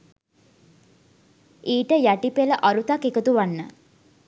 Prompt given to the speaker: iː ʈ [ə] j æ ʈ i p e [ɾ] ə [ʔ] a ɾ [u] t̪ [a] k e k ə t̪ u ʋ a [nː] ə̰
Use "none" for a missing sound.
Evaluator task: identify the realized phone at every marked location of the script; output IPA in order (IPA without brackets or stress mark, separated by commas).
ə, l, ʔ, u, a, nː